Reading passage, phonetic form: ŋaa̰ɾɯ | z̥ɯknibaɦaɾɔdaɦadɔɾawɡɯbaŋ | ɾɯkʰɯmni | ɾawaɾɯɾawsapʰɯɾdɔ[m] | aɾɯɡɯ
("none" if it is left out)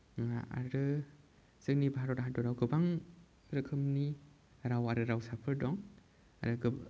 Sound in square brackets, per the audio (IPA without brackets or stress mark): ŋ